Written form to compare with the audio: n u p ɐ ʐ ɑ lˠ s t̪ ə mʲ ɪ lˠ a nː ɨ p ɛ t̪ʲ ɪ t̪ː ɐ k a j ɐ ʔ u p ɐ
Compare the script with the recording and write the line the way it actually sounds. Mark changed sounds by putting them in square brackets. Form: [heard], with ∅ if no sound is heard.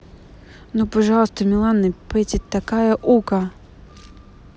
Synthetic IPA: n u p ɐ ʐ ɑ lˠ s t̪ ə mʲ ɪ lˠ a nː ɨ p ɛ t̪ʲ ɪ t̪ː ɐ k a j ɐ ʔ u [k] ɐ